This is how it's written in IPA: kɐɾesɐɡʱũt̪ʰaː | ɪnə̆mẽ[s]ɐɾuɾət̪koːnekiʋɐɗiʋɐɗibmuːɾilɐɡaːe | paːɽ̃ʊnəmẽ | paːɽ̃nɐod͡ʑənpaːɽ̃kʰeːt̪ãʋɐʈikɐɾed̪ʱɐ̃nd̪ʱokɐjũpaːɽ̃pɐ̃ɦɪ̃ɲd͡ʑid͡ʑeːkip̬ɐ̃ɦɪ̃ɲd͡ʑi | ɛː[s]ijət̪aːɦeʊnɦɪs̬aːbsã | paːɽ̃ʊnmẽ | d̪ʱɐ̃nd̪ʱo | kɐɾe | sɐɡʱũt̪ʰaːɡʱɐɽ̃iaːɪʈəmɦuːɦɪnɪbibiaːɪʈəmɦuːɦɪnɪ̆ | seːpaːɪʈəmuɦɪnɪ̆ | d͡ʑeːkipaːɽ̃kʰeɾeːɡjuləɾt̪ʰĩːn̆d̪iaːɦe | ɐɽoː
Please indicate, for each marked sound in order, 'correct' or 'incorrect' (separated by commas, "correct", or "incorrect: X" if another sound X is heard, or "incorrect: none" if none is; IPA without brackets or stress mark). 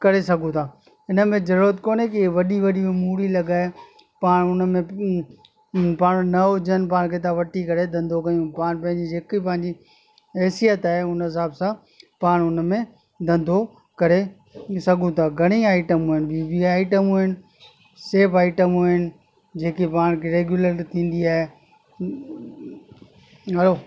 incorrect: z, correct